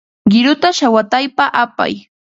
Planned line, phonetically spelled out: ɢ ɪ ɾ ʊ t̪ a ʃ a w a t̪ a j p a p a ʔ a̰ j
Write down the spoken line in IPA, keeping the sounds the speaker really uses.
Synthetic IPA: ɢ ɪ ɾ ʊ t̪ a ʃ a w a t̪ a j p a ʔ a p a̰ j

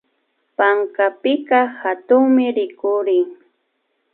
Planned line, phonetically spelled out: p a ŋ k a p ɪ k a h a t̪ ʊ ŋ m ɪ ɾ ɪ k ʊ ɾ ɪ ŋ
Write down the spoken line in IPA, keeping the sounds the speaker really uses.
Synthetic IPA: p a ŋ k a p ɪ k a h a t̪ ʊ ŋ m ɪ ɾ ɪ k ʊ ɾ ɪ ŋ

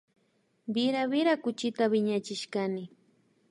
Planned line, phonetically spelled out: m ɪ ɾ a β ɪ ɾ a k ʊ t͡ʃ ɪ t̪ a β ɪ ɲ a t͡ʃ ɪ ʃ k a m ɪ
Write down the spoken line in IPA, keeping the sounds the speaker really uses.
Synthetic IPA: b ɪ ɾ a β ɪ ɾ a k ʊ t͡ʃ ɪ t̪ a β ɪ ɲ a t͡ʃ ɪ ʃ k a n ɪ

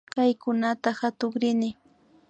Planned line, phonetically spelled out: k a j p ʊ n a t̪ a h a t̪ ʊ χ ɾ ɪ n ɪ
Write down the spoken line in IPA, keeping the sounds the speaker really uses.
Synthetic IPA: k a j k ʊ n a t̪ a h a t̪ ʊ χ ɾ ɪ n ɪ

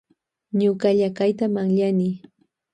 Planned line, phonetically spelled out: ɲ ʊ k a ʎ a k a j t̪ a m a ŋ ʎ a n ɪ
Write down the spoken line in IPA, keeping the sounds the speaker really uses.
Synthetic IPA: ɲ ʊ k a ʎ a k a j t̪ a m a ŋ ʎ a n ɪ

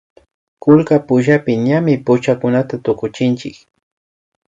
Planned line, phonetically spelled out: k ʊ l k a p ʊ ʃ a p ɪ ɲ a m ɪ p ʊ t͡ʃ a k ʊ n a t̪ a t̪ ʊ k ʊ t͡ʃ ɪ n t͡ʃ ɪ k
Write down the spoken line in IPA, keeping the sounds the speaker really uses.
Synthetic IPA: k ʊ l k a p ʊ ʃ a p ɪ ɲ a m ɪ p ʊ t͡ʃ a k ʊ n a t̪ a t̪ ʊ k ʊ t͡ʃ ɪ n t͡ʃ ɪ k

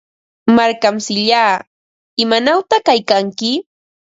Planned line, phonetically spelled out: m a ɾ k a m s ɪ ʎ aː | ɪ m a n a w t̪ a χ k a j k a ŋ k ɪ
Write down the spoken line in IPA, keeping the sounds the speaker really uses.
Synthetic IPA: m a ɾ k a m s ɪ ʎ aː | ɪ m a n a w t̪ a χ k a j k a ŋ k ɪ

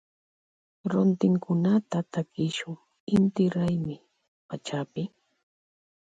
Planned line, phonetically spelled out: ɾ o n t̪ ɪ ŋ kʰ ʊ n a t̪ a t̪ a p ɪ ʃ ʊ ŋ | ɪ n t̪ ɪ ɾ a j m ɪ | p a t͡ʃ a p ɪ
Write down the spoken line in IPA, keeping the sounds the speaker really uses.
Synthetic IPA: ɾ o n t̪ ɪ ŋ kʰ ʊ n a t̪ a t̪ a k ɪ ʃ ʊ ŋ | ɪ n t̪ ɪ ɾ a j m ɪ | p a t͡ʃ a p ɪ

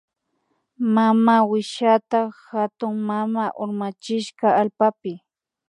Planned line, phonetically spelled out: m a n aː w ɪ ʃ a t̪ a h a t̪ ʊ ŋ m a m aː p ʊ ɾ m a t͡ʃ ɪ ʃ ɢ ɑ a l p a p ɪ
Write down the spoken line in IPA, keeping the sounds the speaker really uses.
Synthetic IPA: m a m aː w ɪ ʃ a t̪ a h a t̪ ʊ ŋ m a m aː ʔ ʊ ɾ m a t͡ʃ ɪ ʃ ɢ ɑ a l p a p ɪ

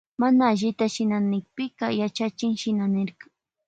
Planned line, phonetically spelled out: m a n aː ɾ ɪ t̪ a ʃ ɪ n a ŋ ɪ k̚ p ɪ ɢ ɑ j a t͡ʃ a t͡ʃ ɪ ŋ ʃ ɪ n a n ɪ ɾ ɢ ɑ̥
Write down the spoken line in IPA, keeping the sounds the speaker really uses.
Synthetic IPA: m a n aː ʎ ɪ t̪ a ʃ ɪ n a n ɪ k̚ p ɪ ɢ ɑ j a t͡ʃ a t͡ʃ ɪ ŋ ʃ ɪ n a n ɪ ɾ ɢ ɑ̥

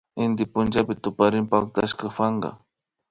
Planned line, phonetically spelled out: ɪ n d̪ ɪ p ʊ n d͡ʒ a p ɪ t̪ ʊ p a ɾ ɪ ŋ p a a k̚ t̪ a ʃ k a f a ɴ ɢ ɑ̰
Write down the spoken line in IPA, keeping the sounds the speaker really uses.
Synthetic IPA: ɪ n d̪ ɪ p ʊ n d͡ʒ a p ɪ t̪ ʊ p a ɾ ɪ m p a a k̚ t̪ a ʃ k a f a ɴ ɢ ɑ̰

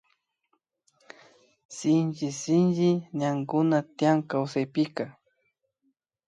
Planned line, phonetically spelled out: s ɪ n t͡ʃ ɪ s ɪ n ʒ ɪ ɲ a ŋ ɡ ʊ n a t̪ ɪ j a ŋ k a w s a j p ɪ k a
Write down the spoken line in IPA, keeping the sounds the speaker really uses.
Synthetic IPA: s ɪ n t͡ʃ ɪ s ɪ n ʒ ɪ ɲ a ŋ ɡ ʊ n a t̪ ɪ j a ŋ k a w s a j p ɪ k a

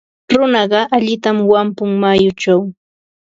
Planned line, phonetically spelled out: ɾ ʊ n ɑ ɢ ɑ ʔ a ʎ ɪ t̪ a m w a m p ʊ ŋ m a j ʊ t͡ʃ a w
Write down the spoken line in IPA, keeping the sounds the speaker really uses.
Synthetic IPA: ɾ ʊ n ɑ ɢ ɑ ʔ a ʎ ɪ t̪ a m w a m p ʊ ŋ m a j ʊ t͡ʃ a w

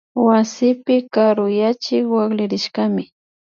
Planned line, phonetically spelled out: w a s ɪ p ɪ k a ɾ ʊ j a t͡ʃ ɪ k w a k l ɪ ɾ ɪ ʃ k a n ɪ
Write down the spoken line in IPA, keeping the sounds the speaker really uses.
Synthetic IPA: w a s ɪ p ɪ k a ɾ ʊ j a t͡ʃ ɪ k w a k l ɪ ɾ ɪ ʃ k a m ɪ

